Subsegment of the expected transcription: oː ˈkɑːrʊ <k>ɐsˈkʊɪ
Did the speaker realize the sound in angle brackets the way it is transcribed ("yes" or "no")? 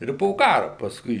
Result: no